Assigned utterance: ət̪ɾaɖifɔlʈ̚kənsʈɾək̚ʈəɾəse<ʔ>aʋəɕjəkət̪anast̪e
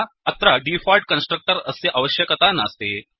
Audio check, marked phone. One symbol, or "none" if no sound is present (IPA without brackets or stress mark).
ʔ